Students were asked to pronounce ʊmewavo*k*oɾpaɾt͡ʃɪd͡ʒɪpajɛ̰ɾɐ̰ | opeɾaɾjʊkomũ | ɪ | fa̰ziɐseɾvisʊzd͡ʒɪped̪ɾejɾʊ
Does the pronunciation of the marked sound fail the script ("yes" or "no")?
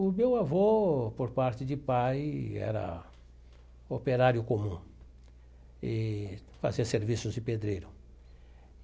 yes